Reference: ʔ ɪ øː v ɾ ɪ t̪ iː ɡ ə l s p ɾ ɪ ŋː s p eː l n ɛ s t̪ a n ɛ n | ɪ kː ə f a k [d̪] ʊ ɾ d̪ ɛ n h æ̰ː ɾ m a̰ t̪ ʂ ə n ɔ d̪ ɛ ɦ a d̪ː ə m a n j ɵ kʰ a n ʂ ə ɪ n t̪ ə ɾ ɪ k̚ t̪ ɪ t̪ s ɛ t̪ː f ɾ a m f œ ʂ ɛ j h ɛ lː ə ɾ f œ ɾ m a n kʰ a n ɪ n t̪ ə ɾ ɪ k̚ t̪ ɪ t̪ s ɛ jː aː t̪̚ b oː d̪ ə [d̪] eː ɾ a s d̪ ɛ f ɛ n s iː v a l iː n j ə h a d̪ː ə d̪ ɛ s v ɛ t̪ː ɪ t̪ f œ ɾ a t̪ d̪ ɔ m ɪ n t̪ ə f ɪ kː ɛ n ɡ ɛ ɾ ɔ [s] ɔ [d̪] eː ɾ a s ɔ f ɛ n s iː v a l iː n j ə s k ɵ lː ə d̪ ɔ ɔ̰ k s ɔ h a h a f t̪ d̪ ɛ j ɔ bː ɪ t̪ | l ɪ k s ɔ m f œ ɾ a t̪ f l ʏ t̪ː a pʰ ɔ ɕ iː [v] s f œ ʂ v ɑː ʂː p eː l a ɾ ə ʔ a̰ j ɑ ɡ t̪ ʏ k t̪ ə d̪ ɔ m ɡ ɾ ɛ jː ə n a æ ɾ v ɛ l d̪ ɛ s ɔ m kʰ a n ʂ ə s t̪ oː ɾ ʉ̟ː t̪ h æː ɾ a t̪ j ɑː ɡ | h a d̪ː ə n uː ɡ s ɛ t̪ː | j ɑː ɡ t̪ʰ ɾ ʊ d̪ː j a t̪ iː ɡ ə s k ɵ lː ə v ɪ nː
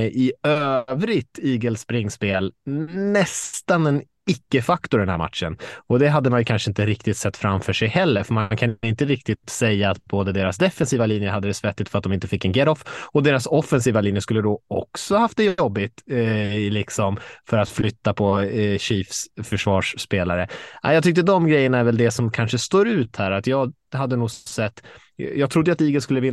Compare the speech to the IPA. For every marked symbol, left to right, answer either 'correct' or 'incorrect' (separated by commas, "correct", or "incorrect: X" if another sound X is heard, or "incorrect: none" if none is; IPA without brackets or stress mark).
incorrect: t̪, correct, incorrect: f, correct, incorrect: f